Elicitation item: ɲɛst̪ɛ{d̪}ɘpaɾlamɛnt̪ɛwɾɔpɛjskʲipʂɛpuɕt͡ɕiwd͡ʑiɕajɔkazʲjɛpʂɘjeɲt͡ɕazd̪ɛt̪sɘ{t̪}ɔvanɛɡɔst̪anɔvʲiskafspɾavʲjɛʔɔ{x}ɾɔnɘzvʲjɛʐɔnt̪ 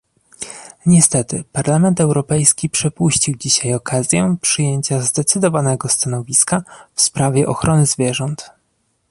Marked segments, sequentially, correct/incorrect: incorrect: t̪, incorrect: d̪, correct

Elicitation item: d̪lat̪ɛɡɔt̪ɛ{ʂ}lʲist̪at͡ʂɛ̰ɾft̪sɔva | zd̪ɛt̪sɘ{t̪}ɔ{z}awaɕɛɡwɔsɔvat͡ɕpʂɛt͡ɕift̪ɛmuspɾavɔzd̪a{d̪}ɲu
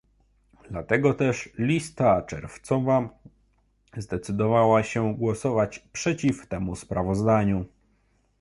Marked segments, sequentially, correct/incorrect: correct, incorrect: d̪, incorrect: v, incorrect: none

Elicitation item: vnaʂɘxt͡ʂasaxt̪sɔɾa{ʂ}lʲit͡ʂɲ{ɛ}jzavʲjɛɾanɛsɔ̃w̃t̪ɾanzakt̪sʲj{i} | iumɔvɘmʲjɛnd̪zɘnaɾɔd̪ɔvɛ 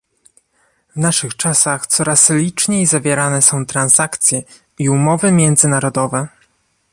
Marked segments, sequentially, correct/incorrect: incorrect: s, incorrect: e, incorrect: ɛ

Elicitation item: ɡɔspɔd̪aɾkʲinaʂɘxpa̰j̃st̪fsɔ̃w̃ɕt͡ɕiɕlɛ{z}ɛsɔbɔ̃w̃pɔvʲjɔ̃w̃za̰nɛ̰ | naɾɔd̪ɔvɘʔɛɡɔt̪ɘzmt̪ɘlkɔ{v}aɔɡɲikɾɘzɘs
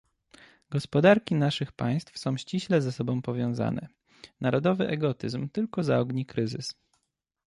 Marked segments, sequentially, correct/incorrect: correct, incorrect: z

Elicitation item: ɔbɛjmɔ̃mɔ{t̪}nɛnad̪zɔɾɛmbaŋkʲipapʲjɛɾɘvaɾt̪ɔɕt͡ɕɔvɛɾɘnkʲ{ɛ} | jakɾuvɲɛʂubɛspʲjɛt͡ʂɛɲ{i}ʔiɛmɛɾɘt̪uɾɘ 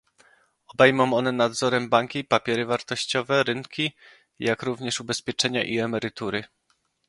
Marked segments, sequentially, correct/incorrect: incorrect: none, incorrect: i, incorrect: a

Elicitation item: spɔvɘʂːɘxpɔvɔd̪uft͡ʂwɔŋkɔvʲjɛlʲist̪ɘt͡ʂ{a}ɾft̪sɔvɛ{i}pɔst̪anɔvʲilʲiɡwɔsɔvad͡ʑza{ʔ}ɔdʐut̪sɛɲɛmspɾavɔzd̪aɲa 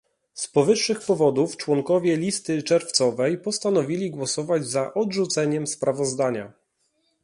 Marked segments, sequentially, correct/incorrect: incorrect: ɛ, incorrect: j, correct

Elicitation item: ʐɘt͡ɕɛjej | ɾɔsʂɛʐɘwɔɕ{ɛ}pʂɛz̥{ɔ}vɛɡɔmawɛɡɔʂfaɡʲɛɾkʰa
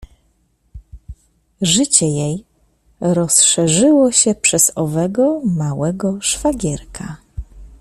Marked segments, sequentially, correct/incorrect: correct, correct

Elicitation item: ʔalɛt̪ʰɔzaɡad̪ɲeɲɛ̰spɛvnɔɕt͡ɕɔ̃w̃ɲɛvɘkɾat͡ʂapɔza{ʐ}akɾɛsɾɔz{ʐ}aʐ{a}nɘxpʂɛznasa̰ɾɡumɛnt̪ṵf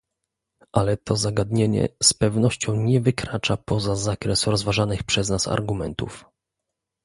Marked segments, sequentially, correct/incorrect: incorrect: z, incorrect: v, correct

